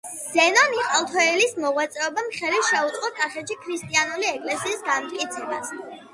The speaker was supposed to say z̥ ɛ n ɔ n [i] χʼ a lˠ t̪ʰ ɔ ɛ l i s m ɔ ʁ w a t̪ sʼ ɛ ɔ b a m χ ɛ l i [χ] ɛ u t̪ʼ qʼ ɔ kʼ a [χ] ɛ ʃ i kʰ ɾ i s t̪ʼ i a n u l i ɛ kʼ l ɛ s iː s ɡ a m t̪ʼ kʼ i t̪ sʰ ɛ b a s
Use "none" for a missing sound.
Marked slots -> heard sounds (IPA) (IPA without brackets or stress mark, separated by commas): i, ʃ, χ